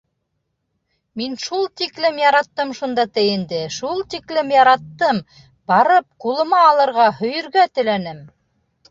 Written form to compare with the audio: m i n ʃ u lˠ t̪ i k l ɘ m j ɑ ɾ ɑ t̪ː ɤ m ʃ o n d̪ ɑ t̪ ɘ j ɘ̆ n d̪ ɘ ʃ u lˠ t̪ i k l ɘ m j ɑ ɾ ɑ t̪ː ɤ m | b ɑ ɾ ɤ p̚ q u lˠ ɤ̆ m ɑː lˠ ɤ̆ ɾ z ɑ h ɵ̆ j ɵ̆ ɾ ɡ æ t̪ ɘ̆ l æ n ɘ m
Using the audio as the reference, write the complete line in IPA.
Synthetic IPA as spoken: m i n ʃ u lˠ t̪ i k l ɘ m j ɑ ɾ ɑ t̪ː ɤ m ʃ u n d̪ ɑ t̪ ɘ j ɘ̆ n d̪ ɘ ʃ u lˠ t̪ i k l ɘ m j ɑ ɾ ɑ t̪ː ɤ m | b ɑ ɾ ɤ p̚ q u lˠ ɤ̆ m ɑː lˠ ɤ̆ ɾ ʁ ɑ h ɵ̆ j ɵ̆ ɾ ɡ æ t̪ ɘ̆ l æ n ɘ m